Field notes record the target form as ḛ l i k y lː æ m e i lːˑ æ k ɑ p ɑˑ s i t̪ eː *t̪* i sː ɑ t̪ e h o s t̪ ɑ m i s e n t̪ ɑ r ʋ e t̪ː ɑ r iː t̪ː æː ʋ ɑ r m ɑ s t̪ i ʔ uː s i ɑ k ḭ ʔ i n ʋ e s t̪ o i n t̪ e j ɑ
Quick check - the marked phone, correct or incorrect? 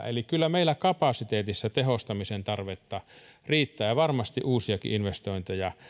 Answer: correct